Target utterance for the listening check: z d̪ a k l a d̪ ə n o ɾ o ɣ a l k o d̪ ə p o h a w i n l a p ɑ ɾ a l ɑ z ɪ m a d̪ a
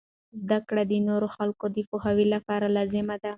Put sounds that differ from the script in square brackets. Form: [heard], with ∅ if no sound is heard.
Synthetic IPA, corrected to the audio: z d̪ a k [ɽ] a d̪ ə n o ɾ o [x] a l k o d̪ ə p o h a w i [∅] l a p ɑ ɾ a l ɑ z ɪ m a d̪ a